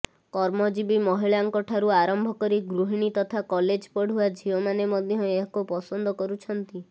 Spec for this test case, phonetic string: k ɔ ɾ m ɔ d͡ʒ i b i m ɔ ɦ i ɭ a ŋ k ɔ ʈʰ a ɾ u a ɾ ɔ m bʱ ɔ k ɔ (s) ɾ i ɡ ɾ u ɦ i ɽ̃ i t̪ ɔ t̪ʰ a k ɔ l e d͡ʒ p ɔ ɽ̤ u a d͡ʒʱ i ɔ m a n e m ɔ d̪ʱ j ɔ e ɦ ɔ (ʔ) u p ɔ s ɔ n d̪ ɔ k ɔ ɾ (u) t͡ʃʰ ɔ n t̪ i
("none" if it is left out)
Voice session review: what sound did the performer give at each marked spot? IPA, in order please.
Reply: none, k, u

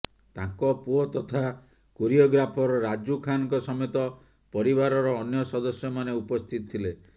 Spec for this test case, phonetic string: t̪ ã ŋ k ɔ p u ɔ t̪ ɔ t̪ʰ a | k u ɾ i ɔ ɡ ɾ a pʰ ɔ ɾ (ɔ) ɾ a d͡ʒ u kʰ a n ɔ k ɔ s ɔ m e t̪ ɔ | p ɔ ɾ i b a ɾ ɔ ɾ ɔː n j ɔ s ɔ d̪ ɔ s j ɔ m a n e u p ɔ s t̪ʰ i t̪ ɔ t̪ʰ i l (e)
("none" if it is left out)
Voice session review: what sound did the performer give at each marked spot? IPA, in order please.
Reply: ɔ, e

